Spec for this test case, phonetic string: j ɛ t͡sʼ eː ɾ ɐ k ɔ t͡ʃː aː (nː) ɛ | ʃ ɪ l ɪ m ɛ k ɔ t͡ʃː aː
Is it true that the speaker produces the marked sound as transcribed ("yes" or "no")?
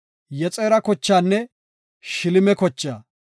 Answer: yes